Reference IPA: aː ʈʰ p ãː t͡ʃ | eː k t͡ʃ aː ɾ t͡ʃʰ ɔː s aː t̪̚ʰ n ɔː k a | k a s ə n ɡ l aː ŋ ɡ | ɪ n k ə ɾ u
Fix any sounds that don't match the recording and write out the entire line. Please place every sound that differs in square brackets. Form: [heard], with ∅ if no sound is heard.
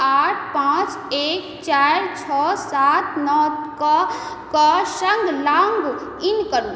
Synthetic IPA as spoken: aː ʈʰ p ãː t͡ʃ | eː k t͡ʃ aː ɾ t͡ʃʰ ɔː s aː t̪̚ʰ n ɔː k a | k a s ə [ŋ] ɡ l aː ŋ ɡ | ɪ n k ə ɾ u